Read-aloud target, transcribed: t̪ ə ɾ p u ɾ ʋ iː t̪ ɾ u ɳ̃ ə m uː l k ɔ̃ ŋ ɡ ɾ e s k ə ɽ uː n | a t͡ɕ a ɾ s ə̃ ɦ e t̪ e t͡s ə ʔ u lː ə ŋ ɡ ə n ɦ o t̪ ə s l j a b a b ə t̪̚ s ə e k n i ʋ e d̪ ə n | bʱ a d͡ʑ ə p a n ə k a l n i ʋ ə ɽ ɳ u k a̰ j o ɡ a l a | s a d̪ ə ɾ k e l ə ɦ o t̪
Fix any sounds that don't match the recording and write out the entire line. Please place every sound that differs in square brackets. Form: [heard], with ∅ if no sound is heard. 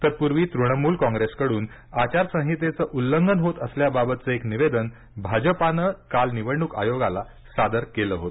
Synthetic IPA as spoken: t̪ ə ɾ p u ɾ ʋ iː t̪ ɾ u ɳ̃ ə m uː l k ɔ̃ ŋ ɡ ɾ e s k ə ɽ uː n | a t͡ɕ a ɾ s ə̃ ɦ [i] t̪ e t͡s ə ʔ u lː ə ŋ ɡ ə n ɦ o t̪ ə s l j a b a b ə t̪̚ [t͡s] ə e k n i ʋ e d̪ ə n | bʱ a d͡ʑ ə p a n ə k a l n i ʋ ə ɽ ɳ u k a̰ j o ɡ a l a | s a d̪ ə ɾ k e l ə ɦ o t̪